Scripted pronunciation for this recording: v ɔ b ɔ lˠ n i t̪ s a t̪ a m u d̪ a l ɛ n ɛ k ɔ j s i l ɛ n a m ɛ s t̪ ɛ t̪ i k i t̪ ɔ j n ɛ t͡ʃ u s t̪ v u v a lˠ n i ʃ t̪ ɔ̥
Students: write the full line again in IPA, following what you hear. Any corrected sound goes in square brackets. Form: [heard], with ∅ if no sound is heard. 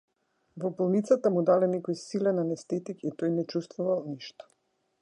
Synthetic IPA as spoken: v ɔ b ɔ lˠ n i t̪ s a t̪ a m u d̪ a l ɛ n ɛ k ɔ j s i l ɛ n a [n] ɛ s t̪ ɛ t̪ i k i t̪ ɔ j n ɛ t͡ʃ u s t̪ v u v a lˠ n i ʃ t̪ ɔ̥